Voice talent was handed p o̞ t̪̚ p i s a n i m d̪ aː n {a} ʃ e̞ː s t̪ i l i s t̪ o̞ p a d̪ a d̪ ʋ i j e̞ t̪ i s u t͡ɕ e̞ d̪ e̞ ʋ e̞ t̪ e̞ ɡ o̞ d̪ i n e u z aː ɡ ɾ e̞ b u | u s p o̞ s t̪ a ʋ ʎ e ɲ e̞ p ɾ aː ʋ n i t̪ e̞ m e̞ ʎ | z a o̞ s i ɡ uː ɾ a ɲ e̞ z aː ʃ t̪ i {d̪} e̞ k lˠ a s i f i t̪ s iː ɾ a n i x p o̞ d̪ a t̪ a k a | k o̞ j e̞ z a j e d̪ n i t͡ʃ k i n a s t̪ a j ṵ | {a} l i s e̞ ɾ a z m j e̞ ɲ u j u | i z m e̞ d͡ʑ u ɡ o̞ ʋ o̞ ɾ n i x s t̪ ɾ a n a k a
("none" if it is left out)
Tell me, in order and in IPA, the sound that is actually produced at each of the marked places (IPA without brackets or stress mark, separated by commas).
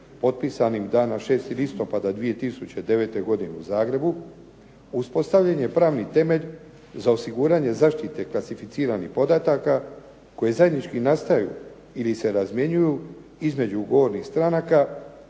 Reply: a, t̪, i